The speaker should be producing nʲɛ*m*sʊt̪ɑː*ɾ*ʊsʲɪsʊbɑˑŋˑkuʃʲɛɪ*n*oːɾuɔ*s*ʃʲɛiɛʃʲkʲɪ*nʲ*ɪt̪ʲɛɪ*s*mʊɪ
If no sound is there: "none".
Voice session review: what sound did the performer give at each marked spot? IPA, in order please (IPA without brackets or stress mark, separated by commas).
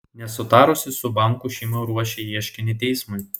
none, ɾ, m, none, nʲ, s